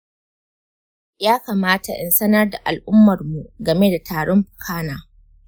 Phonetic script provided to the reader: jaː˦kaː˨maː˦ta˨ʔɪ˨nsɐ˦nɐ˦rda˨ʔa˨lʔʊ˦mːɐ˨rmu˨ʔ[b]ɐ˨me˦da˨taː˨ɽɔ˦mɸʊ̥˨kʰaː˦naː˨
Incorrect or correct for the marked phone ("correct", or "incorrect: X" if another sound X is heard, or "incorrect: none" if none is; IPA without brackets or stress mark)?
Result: incorrect: ɡ